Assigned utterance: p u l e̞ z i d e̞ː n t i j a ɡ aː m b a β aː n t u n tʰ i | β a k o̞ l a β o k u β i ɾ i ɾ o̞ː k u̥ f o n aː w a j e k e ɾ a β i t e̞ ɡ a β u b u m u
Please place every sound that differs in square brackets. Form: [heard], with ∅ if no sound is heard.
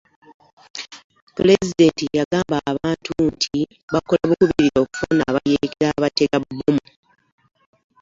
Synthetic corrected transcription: p u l e̞ z i d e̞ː n t i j a ɡ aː m b a β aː n t u n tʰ i | β a k o̞ l a β [u] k u β i ɾ i ɾ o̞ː k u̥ f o n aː [β] a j e k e ɾ a β [a] t e̞ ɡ a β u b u m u